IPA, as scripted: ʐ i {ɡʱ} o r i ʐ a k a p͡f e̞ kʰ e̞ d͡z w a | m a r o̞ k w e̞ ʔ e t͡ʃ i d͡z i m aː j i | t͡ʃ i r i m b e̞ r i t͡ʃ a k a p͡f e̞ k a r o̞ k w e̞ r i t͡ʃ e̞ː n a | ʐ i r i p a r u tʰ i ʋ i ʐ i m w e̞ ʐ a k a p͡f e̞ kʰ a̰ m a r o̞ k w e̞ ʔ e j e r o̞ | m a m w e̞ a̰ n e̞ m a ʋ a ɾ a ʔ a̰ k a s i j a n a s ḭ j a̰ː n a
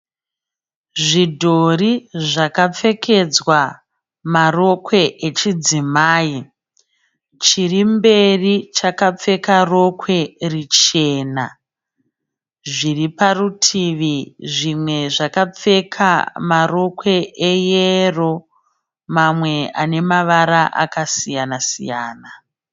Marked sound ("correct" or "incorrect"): incorrect